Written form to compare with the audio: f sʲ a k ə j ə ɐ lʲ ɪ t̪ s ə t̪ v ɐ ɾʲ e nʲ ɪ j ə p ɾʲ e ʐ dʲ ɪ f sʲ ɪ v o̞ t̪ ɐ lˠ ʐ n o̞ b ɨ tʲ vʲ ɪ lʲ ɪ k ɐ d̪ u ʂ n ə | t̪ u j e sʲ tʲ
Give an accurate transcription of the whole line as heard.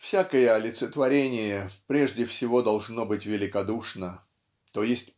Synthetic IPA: f sʲ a k ə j ə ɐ lʲ ɪ t̪ s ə t̪ v ɐ ɾʲ e nʲ ɪ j ə p ɾʲ e ʐ dʲ ɪ f sʲ ɪ v o̞ d̪ ɐ lˠ ʐ n o̞ b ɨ tʲ vʲ ɪ lʲ ɪ k ɐ d̪ u ʂ n ə | t̪ o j e sʲ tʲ